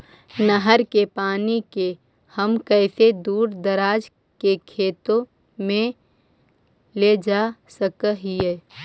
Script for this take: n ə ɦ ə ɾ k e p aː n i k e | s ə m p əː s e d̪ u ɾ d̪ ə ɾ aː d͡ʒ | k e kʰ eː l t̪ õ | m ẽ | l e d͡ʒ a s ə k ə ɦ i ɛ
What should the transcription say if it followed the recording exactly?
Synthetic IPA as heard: n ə ɦ ə ɾ k e p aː n i k e | h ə m k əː s e d̪ uː ɾ d̪ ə ɾ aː d͡ʒ | k e kʰ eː t̪ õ | m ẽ | l e d͡ʒ a s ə k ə ɦ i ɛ